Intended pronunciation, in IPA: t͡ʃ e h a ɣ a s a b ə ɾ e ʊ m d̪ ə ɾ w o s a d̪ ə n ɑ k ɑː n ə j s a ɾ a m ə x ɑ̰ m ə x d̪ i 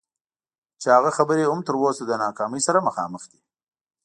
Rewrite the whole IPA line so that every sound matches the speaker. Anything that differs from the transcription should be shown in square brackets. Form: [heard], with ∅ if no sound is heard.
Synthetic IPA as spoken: t͡ʃ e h a ɣ a [x] a b ə ɾ e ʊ m [t̪] ə ɾ w o s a d̪ ə n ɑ k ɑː [m] ə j s a ɾ a m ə x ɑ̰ m ə x d̪ i